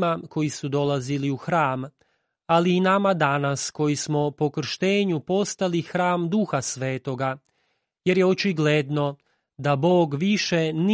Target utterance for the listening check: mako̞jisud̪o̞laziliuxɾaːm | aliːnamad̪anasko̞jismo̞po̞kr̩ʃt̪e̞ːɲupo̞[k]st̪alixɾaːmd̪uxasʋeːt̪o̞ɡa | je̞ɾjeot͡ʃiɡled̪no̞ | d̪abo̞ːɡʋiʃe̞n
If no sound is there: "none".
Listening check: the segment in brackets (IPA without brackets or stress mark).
none